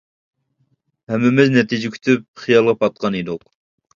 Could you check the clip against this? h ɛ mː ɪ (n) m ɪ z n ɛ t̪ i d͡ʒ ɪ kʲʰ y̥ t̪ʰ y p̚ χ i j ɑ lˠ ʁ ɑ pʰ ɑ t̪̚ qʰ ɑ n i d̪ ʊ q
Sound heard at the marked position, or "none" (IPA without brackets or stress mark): none